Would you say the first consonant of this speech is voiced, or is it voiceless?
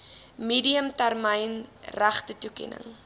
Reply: voiced